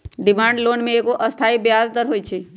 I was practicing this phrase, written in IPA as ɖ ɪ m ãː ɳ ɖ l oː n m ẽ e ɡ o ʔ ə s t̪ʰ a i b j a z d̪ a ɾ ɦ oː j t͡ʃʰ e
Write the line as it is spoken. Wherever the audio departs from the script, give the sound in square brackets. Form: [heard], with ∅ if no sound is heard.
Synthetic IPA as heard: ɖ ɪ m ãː ɳ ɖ l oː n m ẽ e [k] o ʔ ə s t̪ʰ a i b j a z d̪ [ə] ɾ ɦ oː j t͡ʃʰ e

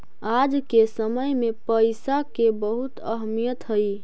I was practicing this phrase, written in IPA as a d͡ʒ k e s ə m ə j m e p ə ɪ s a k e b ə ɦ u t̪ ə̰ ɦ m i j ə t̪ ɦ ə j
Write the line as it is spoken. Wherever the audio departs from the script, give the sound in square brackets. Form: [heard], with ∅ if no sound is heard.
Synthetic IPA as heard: a d͡ʒ k e s ə m ə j m e p ə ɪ s a k e b ə ɦ u t̪ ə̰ ɦ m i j ə t̪ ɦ ə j

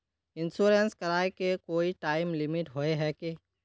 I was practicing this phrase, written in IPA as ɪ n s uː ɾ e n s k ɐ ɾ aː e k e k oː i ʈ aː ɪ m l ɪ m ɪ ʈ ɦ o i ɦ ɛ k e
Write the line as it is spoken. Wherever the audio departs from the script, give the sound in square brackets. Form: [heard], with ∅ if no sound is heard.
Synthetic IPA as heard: ɪ n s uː ɾ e n s k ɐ ɾ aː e k e k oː i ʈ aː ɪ m l ɪ m ɪ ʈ ɦ o [e] ɦ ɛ k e

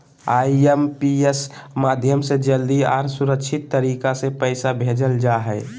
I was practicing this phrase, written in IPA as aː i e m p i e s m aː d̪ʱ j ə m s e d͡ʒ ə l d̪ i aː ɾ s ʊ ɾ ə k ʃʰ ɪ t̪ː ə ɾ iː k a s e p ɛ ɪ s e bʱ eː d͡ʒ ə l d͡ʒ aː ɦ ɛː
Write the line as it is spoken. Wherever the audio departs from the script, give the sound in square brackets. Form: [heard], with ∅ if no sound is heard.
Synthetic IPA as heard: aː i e m p i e s m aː d̪ʱ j ə m s e d͡ʒ ə l d̪ i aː ɾ s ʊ ɾ ə k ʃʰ ɪ t̪ː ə ɾ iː k a s e p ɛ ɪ s [a] bʱ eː d͡ʒ ə l d͡ʒ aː ɦ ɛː

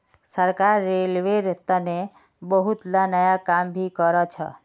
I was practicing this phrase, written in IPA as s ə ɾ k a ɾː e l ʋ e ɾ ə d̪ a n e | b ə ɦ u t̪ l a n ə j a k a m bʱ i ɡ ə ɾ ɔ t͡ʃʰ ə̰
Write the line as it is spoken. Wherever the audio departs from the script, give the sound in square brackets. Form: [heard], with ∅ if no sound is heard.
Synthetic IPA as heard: s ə ɾ k a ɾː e l ʋ e ɾ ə [t̪] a n e | b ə ɦ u t̪ l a n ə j a k a m bʱ i [k] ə ɾ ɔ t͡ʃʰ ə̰

